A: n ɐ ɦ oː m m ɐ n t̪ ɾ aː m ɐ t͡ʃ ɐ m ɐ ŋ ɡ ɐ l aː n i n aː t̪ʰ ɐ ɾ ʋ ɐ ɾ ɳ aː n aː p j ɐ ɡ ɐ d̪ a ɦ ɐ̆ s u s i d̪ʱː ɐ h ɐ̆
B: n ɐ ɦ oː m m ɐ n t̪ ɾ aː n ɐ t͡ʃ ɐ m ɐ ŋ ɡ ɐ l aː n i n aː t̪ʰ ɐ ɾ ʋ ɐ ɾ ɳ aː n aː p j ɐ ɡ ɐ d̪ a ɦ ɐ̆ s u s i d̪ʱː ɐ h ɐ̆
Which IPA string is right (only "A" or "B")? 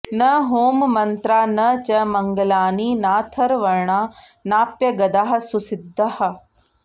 B